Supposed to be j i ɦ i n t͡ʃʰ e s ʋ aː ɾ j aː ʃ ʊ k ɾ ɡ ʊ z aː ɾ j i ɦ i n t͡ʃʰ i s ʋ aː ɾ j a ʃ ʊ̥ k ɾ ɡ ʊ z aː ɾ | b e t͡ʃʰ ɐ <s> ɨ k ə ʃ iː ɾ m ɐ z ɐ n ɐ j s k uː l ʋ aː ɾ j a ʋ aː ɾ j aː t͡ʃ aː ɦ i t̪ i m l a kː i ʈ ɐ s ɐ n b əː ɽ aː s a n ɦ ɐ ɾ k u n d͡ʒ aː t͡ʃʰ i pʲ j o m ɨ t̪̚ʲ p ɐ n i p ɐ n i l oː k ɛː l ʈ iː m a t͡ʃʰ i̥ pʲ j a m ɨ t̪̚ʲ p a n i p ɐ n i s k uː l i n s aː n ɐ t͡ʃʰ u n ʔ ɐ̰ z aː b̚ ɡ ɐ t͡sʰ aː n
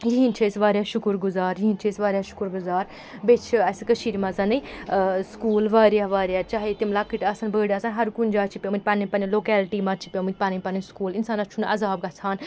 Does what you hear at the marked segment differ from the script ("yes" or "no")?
no